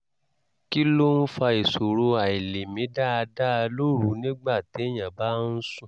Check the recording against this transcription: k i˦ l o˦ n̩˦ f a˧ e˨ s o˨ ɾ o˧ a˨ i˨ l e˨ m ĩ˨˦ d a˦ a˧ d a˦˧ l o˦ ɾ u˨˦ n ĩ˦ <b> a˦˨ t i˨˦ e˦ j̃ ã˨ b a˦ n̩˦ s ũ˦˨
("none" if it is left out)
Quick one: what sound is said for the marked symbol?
ɡ͡b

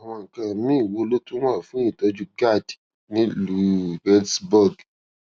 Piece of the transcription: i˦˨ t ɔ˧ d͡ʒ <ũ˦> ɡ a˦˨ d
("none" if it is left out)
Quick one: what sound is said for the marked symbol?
u˦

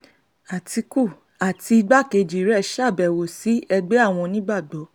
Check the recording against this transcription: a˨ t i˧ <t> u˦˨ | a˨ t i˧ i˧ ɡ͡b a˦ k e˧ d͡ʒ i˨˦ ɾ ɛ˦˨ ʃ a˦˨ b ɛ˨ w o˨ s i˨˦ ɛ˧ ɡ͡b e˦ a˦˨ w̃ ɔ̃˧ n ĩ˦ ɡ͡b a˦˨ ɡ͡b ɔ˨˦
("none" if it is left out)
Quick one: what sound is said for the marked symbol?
k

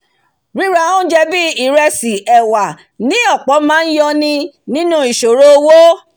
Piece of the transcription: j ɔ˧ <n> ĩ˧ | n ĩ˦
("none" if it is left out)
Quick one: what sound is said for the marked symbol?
n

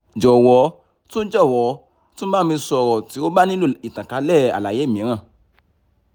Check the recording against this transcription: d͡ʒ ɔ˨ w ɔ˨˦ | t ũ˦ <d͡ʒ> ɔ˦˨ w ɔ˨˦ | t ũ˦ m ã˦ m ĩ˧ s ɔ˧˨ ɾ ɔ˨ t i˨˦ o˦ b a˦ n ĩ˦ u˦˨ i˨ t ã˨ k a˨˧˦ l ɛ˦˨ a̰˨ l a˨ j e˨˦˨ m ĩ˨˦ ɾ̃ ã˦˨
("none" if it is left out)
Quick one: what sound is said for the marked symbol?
d͡ʒ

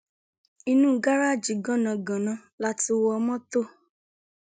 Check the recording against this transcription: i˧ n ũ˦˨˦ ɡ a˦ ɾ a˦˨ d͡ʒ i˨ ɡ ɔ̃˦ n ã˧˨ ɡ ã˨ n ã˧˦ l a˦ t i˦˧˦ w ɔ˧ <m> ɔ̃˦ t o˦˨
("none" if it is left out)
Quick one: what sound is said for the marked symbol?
m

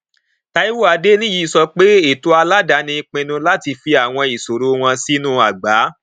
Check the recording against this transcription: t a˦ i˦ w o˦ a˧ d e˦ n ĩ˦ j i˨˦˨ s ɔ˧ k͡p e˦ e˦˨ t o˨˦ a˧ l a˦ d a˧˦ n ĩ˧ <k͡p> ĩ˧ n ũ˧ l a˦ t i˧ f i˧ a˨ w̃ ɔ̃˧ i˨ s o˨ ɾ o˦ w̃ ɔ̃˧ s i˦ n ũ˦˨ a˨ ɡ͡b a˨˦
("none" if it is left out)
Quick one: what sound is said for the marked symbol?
k͡p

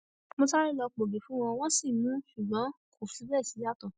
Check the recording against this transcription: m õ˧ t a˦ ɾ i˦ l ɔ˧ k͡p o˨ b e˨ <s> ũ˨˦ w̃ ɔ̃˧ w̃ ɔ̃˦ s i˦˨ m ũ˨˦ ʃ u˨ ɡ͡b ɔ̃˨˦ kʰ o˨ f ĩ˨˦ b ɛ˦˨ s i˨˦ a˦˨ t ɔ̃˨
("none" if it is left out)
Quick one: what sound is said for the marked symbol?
f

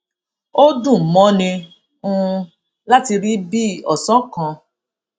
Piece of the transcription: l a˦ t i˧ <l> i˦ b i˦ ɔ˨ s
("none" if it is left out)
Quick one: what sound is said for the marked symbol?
ɾ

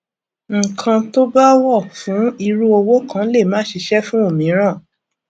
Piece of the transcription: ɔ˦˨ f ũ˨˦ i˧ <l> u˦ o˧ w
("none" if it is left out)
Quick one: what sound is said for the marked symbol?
ɾ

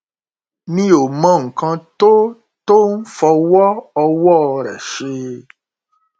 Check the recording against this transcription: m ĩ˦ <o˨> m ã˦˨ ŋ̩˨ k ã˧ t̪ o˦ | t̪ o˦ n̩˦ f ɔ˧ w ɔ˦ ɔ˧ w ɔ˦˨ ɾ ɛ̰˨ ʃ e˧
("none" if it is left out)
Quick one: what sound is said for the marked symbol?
o˨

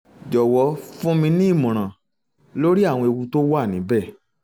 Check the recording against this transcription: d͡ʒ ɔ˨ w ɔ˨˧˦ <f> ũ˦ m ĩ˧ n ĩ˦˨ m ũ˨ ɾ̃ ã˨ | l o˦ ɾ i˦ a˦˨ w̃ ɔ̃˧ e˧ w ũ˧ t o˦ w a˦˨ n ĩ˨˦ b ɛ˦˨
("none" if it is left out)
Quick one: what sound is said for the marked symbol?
f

